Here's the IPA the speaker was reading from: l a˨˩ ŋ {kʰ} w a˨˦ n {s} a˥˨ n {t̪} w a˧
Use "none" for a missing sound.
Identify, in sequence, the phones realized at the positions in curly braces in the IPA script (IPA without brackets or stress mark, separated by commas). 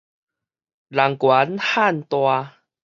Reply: k, h, t̪